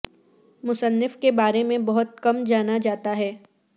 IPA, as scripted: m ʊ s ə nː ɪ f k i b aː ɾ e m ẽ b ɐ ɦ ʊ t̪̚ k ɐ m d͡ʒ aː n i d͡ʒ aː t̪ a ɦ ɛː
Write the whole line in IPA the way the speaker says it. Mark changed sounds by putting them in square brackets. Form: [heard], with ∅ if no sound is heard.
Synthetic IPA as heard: m ʊ s ə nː ɪ f k [e] b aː ɾ e m ẽ b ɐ ɦ ʊ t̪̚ k ɐ m d͡ʒ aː n [a] d͡ʒ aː t̪ a ɦ ɛː